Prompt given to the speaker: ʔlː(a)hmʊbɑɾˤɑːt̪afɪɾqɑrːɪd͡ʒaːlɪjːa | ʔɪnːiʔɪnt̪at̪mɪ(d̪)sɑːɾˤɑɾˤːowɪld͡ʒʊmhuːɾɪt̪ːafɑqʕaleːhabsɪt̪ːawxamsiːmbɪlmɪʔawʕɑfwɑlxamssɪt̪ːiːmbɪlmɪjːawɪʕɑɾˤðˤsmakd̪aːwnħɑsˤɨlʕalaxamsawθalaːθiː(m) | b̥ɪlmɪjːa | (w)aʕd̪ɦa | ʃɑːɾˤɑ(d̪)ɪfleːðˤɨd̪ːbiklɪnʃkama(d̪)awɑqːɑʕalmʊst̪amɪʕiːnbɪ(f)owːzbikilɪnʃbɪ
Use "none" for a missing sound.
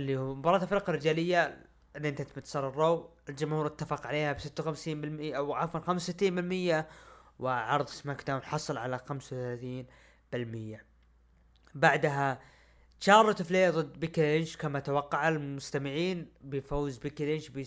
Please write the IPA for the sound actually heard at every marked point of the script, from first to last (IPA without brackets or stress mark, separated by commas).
i, t̪, n, b, t̪, t̪, f